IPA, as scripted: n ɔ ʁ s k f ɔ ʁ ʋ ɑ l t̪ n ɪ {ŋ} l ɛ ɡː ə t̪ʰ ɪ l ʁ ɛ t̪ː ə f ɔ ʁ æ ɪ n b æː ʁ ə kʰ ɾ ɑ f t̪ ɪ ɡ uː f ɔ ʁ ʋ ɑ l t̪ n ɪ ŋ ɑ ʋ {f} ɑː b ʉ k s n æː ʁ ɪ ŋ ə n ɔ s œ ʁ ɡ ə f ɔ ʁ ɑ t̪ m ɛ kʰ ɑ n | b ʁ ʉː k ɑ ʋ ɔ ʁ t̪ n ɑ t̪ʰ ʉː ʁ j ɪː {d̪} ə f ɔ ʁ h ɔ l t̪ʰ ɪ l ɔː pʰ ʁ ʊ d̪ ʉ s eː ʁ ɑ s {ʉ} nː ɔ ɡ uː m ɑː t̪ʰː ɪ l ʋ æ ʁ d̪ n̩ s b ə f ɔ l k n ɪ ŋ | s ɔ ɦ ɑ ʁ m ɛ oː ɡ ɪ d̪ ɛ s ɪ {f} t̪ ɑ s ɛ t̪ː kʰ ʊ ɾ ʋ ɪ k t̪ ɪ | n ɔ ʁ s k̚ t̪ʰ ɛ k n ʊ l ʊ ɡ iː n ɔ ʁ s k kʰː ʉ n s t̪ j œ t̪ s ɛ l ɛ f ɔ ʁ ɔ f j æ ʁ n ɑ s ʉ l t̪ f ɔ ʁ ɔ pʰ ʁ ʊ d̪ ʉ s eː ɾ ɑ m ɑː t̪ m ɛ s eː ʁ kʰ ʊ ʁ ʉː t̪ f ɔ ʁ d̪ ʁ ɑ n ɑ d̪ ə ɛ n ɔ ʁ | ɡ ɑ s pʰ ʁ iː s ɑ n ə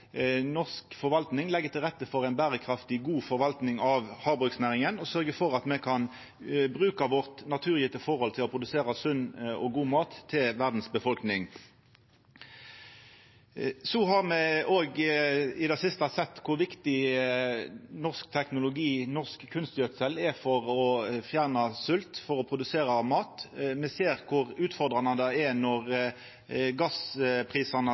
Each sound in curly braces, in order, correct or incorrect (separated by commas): correct, incorrect, incorrect, correct, incorrect